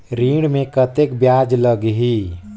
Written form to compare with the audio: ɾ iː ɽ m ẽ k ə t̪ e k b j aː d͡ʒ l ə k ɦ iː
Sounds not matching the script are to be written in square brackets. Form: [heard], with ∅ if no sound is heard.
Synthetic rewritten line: ɾ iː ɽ m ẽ k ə t̪ e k b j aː d͡ʒ l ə [ɡ] ɦ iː